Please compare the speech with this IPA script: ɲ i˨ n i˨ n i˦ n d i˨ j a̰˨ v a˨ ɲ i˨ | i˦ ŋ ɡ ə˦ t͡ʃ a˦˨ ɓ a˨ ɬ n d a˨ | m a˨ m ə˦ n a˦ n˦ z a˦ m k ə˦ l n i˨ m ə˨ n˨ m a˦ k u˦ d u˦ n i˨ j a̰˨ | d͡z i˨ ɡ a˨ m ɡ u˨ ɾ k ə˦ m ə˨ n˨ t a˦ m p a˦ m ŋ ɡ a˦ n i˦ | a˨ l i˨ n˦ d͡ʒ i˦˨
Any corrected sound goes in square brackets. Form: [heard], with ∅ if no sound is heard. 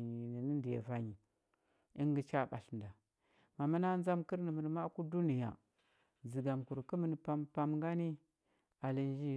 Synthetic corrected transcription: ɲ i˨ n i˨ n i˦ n d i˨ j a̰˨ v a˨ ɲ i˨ | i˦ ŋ ɡ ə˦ t͡ʃ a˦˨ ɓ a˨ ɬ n d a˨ | m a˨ m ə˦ n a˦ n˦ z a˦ m k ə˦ [ɾ] n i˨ m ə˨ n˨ m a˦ k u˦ d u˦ n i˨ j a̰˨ | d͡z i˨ ɡ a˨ m [k] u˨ ɾ k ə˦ m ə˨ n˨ [p] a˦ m p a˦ m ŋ ɡ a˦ n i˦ | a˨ l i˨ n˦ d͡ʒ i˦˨